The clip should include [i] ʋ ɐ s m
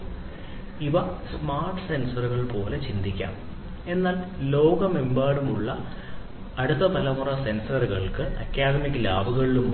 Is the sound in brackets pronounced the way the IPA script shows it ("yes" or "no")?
yes